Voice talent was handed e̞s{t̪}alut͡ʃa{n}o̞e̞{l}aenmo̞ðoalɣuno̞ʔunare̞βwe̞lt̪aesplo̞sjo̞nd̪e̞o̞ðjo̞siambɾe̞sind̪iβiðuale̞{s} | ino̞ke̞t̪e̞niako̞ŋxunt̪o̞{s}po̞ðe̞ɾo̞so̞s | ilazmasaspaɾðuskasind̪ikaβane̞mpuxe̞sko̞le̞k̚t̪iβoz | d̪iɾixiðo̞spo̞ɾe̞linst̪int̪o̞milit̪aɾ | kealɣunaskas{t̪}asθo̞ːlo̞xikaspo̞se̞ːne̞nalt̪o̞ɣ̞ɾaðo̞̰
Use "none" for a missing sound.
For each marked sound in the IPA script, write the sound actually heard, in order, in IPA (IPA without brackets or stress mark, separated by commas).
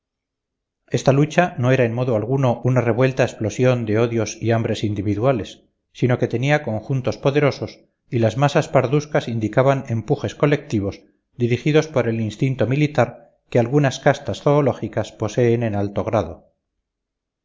t̪, n, ɾ, sː, s, t̪